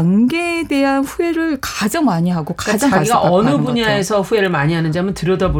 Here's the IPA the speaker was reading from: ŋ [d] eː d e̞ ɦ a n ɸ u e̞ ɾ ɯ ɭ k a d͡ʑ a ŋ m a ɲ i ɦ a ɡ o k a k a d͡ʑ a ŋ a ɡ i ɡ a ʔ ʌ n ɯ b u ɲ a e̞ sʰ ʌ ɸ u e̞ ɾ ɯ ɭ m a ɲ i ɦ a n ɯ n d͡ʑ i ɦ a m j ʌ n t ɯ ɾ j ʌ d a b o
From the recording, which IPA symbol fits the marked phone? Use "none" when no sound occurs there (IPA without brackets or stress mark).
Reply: ɡ